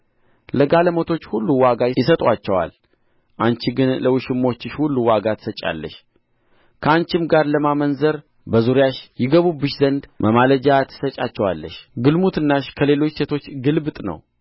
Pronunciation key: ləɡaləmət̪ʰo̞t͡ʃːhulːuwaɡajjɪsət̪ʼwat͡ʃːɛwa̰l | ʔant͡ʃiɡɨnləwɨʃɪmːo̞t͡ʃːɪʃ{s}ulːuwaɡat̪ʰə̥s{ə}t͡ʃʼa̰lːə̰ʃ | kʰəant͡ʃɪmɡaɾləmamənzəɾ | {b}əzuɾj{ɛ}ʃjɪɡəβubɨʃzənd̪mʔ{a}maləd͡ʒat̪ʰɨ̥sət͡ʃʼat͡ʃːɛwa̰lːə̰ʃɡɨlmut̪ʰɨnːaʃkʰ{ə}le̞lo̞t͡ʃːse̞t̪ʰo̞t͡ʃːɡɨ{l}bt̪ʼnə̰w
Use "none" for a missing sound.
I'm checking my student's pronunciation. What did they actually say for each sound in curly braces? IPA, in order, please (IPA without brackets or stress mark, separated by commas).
h, ə, b, a, ə, ə, l